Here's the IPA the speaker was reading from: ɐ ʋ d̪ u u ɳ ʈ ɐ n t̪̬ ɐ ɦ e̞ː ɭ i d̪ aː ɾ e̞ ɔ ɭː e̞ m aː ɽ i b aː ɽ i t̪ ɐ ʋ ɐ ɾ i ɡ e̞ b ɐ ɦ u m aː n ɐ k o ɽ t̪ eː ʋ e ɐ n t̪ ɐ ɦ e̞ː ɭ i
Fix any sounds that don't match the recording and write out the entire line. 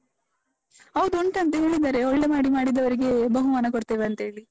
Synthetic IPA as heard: ɐ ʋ d̪ u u ɳ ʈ ɐ n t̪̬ ɐ ɦ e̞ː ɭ i d̪ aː ɾ e̞ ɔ ɭː e̞ m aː ɽ i m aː ɽ i d̪ ɐ ʋ ɐ ɾ i ɡ e̞ b ɐ ɦ u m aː n ɐ k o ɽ t̪ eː ʋ e ɐ n t̪ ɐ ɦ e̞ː ɭ i